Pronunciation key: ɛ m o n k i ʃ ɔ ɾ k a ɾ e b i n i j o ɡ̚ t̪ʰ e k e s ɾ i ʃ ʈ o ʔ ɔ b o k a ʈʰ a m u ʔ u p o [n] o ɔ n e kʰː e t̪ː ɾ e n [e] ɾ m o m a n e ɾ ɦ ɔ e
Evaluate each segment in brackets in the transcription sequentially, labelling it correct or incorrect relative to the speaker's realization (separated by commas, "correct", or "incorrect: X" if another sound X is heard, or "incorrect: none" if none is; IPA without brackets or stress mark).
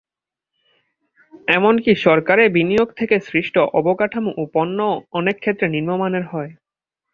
incorrect: nː, incorrect: i